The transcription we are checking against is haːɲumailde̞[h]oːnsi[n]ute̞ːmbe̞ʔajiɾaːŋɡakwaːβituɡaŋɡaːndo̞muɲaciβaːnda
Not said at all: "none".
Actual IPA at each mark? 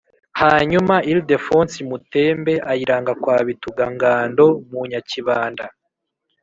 f, m

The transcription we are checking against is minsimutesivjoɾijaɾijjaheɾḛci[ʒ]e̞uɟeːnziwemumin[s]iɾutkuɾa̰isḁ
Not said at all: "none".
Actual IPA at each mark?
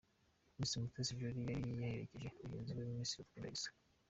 ʒ, s

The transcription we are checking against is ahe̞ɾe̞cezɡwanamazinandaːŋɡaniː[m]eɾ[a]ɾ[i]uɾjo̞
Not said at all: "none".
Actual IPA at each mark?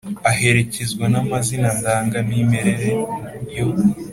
m, e, e

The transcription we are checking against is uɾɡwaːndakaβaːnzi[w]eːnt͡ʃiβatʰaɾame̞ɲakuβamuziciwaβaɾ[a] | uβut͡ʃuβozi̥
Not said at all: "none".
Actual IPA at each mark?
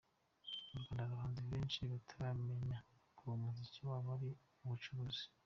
β, i

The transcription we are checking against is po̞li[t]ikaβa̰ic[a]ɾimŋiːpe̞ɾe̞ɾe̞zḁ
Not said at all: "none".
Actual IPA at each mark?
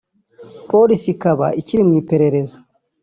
s, i

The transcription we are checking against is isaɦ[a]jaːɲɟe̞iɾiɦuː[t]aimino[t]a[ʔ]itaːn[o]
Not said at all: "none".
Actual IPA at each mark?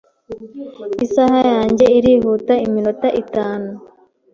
a, t, t, ʔ, u

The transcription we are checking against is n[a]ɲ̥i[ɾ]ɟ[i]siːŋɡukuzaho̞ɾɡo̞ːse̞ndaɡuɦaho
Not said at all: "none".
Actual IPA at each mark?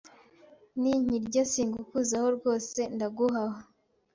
i, ɾ, a

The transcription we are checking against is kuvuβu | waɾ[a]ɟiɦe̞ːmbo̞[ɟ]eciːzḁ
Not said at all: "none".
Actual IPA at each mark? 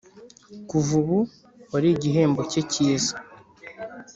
i, c

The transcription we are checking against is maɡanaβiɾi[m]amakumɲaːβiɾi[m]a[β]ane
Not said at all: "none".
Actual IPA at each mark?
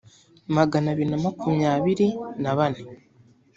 n, n, β

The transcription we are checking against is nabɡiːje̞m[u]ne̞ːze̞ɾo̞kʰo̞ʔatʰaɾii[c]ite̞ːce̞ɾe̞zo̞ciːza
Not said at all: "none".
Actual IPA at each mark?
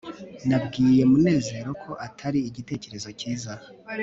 u, ɟ

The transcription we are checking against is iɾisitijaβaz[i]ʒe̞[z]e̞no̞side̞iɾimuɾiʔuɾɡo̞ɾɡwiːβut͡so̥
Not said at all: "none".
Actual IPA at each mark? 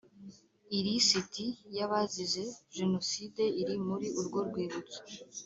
i, ʒ

